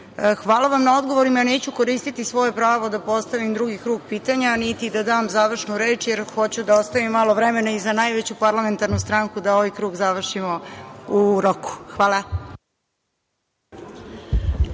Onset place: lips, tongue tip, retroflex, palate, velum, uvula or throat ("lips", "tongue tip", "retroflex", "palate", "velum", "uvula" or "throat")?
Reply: velum